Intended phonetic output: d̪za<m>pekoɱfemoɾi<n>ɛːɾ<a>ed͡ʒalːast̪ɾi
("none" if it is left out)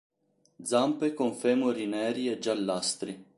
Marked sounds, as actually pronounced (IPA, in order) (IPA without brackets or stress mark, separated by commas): m, n, i